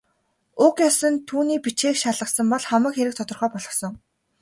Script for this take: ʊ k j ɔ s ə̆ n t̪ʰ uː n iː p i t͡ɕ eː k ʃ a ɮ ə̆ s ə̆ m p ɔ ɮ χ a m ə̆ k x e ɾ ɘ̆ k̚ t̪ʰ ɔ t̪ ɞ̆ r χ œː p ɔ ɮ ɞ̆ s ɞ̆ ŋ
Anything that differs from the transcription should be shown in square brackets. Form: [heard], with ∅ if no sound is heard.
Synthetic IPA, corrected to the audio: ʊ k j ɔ s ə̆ n t̪ʰ uː n iː p i t͡ɕ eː k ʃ a ɮ ə̆ s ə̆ m p ɔ ɮ χ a m ə̆ k x e ɾ ɘ̆ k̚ t̪ʰ ɔ t̪ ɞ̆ r χ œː p ɔ ɮ ɞ̆ s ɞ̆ ŋ

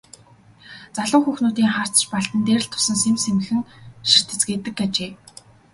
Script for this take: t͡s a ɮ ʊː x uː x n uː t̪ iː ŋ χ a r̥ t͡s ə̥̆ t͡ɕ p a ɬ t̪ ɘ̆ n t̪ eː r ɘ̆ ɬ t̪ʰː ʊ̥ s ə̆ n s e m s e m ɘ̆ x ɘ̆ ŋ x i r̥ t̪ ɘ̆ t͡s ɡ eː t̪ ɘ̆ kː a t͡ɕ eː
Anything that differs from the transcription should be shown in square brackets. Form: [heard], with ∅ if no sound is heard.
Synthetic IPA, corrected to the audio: t͡s a ɮ ʊː x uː x n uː t̪ iː ŋ χ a r̥ t͡s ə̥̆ t͡ɕ p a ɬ t̪ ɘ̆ n t̪ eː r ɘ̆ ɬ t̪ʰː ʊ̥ s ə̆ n s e m s e m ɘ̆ x ɘ̆ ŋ [ʃ] i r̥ t̪ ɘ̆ t͡s ɡ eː t̪ ɘ̆ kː a t͡ɕ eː

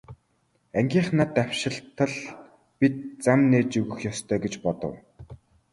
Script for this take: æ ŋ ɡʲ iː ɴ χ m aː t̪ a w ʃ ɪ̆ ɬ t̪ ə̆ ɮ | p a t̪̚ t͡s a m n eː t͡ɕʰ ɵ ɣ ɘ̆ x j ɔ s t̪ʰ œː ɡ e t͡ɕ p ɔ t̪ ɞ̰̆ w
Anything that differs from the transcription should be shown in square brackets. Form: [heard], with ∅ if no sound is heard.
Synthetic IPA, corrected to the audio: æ ŋ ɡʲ iː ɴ χ [n] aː t̪ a w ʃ ɪ̆ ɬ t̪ ə̆ ɮ | p [i] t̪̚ t͡s a m n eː [t͡ɕ] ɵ ɣ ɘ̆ x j ɔ s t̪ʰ œː ɡ e t͡ɕ p ɔ t̪ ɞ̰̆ w

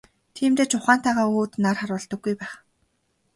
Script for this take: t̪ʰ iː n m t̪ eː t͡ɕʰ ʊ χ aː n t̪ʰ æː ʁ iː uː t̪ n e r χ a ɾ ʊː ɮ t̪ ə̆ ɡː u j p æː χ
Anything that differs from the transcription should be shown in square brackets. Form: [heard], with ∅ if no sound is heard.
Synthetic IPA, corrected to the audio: t̪ʰ iː [∅] m t̪ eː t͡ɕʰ ʊ χ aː n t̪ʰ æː ʁ [aː] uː t̪ n [a] r χ a ɾ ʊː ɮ t̪ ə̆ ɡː u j p æː χ

